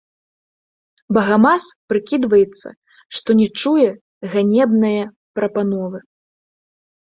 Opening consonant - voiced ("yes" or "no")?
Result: yes